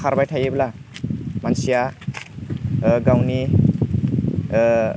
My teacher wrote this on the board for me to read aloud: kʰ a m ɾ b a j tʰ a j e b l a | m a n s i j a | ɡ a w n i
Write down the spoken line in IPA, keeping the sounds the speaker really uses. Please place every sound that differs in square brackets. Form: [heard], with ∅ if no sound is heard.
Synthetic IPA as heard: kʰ a [∅] ɾ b a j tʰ a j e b l a | m a n s i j a | ɡ a w n i